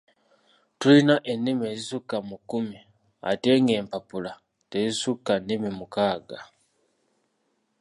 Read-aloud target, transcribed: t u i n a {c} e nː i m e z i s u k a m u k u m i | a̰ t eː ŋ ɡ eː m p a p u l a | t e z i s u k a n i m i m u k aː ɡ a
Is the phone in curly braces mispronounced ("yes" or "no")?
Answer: yes